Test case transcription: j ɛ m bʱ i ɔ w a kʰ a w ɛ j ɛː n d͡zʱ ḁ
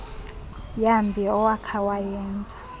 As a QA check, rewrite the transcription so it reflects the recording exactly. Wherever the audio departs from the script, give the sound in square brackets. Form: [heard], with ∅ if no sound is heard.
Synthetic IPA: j [a] m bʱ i ɔ w a kʰ a w [a] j ɛː n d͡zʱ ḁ